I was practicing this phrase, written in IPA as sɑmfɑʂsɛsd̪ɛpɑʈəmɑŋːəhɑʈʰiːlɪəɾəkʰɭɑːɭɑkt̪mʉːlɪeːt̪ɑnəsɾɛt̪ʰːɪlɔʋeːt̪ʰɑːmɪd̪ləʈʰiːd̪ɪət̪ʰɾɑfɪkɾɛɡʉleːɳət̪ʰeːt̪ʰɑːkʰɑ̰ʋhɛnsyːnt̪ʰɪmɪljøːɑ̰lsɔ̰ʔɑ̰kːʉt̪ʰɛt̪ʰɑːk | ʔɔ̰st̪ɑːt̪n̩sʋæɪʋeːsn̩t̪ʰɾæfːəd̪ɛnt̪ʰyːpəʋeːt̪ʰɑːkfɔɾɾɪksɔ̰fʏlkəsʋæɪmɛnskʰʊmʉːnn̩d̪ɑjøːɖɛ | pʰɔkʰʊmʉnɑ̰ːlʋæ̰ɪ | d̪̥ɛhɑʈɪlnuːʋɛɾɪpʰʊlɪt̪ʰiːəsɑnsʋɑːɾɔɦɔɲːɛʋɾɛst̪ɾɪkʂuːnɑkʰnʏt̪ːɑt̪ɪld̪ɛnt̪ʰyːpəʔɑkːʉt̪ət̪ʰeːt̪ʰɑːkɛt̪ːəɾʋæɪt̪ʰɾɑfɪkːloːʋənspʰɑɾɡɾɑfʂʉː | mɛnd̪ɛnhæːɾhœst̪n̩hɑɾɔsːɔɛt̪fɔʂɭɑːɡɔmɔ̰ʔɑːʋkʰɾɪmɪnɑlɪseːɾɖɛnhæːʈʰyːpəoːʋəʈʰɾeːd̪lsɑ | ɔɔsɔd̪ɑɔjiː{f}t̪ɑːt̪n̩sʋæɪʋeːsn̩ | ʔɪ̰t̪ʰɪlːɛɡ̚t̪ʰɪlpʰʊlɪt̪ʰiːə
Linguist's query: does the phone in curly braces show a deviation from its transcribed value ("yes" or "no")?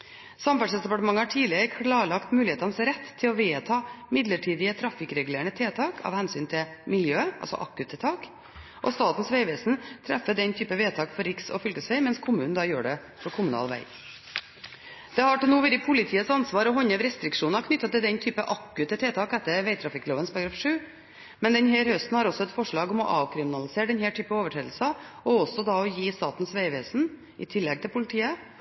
yes